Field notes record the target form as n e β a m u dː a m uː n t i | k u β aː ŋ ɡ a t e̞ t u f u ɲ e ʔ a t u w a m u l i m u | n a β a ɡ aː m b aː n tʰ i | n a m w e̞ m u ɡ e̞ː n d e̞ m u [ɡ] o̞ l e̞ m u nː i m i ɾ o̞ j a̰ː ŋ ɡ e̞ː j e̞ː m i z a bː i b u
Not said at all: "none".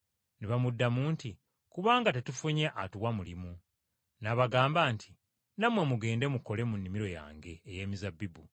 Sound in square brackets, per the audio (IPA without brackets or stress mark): k